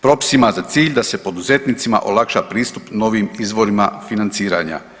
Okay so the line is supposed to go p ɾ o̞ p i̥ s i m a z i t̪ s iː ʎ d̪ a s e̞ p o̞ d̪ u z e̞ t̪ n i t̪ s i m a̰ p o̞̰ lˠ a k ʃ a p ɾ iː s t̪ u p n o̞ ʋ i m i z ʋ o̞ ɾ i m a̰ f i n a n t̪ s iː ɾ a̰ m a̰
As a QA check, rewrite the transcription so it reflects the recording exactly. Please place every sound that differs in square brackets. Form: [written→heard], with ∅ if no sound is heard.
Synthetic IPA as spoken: p ɾ o̞ p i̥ s i m a z [i→a] t̪ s iː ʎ d̪ a s e̞ p o̞ d̪ u z e̞ t̪ n i t̪ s i m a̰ [p→ʔ] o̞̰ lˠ a k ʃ a p ɾ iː s t̪ u p n o̞ ʋ i m i z ʋ o̞ ɾ i m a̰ f i n a n t̪ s iː ɾ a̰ [m→ɲ] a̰